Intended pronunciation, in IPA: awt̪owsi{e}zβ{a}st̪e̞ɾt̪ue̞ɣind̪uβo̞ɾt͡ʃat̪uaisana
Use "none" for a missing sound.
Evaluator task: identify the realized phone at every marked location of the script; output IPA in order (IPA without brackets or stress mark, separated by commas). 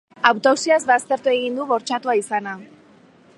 a, a